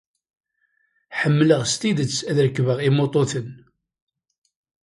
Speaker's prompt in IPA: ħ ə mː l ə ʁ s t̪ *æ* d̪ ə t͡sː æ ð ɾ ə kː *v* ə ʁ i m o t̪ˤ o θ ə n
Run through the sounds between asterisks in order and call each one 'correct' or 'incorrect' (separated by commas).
incorrect, correct